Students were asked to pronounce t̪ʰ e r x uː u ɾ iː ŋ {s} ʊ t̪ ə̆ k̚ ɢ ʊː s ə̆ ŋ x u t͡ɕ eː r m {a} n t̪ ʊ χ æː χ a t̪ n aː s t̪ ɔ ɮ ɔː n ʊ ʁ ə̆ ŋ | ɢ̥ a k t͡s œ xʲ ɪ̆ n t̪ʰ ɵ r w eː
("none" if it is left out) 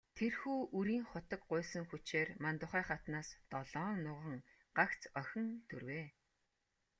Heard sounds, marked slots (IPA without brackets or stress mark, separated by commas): χ, a